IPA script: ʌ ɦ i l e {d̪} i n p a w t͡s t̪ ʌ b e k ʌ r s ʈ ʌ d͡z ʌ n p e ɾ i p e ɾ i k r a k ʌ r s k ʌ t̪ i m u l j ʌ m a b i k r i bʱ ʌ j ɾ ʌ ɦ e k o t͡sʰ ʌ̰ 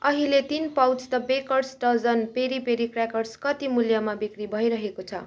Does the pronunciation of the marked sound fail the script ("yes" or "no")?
yes